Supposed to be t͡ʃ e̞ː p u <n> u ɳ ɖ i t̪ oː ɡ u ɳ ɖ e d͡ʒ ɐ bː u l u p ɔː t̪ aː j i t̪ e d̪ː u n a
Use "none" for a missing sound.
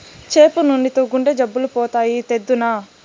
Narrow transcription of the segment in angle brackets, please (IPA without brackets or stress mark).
n